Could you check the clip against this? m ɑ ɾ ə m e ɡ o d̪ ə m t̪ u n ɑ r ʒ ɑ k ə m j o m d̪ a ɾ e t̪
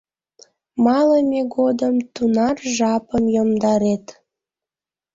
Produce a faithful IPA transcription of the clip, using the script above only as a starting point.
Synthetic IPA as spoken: m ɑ l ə m e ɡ o d̪ ə m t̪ u n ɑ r ʒ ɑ p ə m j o m d̪ ɑ ɾ e t̪